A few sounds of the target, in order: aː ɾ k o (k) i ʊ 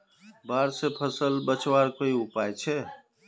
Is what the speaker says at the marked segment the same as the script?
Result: no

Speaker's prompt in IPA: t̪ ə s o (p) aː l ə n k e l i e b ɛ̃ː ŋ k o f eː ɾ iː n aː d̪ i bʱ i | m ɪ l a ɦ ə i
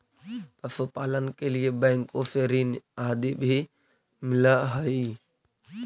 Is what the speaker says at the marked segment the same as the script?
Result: yes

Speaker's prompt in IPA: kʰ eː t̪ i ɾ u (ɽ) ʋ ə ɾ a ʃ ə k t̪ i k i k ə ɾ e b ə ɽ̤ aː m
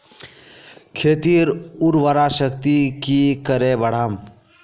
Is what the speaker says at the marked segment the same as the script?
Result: no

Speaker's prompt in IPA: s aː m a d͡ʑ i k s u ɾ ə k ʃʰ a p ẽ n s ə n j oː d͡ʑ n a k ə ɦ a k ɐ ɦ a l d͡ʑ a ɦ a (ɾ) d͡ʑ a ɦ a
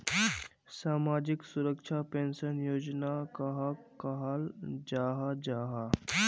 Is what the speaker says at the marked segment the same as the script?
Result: no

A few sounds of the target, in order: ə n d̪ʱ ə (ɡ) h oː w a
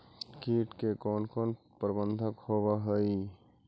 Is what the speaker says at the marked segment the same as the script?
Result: no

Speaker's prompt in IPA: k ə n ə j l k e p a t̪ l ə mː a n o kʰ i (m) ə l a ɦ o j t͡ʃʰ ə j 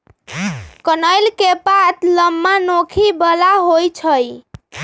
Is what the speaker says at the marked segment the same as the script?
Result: no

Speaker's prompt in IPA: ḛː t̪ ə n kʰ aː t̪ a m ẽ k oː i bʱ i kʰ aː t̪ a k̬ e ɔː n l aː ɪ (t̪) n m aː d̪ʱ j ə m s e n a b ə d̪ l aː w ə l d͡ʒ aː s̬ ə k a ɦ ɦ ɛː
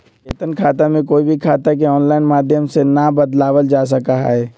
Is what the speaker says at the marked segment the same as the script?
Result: no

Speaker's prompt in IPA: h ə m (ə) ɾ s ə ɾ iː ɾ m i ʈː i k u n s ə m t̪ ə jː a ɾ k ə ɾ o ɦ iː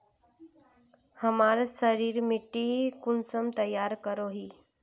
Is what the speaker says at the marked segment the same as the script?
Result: no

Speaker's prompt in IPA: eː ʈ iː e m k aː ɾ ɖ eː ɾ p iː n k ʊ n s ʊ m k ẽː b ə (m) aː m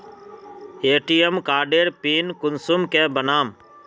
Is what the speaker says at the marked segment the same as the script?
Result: no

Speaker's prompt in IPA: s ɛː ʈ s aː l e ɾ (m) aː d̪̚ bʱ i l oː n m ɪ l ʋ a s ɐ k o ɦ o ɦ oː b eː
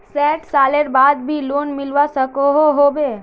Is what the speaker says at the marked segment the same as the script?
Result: no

